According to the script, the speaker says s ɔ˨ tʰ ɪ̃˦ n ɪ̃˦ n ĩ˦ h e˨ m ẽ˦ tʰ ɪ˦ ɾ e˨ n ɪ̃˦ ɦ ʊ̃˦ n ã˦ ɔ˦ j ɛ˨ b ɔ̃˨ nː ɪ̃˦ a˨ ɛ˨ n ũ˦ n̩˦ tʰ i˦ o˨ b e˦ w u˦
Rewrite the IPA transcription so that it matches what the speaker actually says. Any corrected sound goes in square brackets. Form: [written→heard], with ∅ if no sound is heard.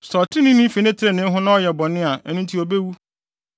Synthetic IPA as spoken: s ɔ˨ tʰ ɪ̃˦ n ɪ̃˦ n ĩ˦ [h→f] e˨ [m→n] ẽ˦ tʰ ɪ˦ ɾ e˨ n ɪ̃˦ ɦ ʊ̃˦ n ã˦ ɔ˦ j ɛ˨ b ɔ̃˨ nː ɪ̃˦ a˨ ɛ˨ n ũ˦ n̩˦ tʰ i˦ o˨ b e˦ w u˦

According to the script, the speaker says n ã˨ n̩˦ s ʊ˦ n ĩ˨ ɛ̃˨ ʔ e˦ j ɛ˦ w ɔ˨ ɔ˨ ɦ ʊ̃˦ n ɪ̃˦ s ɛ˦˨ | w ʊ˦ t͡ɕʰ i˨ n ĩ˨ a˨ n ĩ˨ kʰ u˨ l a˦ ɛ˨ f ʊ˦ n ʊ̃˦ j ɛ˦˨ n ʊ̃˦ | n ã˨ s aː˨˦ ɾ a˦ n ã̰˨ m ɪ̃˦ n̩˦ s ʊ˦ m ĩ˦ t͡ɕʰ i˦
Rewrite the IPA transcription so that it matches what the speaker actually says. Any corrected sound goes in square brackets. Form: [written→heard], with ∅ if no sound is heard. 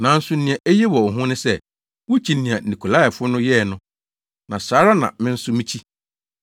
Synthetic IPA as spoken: n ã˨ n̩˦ s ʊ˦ n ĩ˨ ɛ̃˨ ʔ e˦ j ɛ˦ w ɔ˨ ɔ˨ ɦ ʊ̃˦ n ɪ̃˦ s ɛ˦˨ | w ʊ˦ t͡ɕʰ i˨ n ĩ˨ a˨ n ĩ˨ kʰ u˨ l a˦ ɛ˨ f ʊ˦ n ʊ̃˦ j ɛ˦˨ n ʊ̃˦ | n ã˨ s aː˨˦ ɾ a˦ n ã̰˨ m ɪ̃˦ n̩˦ s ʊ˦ m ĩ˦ t͡ɕʰ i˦

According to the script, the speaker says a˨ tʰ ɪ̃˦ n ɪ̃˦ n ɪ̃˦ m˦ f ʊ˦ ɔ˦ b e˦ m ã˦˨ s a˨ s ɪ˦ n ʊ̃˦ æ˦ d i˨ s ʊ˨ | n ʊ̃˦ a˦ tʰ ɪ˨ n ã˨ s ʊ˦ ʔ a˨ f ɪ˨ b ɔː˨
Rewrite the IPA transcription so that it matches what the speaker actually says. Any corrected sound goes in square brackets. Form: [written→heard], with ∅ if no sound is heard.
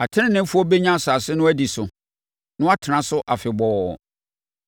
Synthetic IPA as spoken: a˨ tʰ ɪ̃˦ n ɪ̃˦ n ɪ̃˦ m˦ f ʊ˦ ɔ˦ b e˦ [m→ɲ] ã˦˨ s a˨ s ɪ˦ n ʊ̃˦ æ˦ d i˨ s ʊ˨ | n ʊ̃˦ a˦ tʰ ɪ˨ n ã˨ s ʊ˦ ʔ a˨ f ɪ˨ b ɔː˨

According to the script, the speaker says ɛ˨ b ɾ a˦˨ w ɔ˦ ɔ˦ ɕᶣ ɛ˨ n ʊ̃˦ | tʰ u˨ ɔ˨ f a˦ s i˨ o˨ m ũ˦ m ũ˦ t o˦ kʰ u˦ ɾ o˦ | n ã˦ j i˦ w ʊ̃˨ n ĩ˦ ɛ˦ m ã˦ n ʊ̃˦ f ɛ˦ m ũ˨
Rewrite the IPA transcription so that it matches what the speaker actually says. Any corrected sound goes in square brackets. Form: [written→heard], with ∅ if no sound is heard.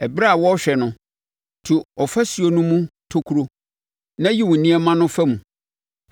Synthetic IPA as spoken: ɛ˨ b ɾ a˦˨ w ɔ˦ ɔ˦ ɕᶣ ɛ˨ n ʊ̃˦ | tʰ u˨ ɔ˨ f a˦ s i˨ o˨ [m→n] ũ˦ m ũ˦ [t→tʰ] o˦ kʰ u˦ ɾ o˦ | n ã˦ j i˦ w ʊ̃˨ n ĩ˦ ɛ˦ m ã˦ n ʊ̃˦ f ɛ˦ m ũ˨

